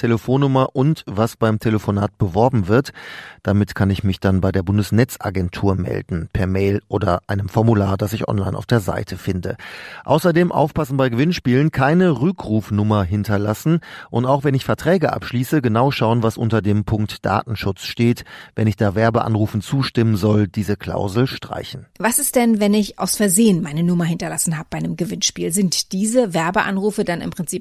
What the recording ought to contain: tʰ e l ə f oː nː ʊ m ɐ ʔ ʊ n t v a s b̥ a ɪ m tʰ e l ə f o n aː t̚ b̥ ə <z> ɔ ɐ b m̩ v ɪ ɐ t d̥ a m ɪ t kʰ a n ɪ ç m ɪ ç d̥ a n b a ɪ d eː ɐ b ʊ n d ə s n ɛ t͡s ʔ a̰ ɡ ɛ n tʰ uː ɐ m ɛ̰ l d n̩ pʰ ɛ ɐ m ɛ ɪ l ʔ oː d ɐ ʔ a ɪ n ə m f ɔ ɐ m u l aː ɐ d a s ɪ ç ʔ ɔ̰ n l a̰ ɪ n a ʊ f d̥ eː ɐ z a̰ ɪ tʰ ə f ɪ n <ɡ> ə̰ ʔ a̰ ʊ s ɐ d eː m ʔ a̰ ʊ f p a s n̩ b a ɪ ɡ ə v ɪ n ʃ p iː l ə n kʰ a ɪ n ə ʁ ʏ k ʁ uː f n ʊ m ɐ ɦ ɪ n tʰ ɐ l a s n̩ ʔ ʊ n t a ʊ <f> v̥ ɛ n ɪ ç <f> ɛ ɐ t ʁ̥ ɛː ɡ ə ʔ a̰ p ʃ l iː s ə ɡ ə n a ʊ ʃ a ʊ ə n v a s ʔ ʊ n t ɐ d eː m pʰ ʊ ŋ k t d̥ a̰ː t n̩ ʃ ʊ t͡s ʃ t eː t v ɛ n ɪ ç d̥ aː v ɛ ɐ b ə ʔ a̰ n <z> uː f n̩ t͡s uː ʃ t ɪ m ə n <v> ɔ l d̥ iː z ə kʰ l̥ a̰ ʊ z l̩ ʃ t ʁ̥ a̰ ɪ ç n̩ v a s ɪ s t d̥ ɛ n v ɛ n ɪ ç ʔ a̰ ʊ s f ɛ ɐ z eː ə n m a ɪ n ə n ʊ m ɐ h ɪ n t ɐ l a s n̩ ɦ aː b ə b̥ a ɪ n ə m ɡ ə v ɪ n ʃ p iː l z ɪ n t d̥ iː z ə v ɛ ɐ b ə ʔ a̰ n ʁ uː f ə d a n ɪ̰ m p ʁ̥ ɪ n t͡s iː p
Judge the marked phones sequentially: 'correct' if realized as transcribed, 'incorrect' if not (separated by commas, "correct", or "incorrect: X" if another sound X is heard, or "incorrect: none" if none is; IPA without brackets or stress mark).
incorrect: v, incorrect: d, incorrect: x, correct, incorrect: ʁ, incorrect: z